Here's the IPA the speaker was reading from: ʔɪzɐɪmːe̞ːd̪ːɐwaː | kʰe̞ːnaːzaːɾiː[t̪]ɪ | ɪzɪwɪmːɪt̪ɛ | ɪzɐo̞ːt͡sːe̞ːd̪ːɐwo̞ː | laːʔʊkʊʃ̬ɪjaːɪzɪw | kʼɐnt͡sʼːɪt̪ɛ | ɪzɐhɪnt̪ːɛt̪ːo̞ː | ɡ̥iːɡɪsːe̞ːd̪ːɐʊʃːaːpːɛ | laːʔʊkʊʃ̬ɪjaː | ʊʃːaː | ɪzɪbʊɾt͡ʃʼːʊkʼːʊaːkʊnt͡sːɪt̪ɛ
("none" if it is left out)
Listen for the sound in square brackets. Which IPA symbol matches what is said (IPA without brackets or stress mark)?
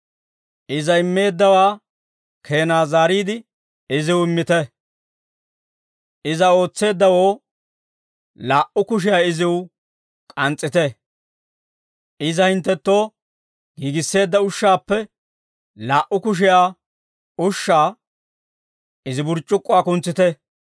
d̪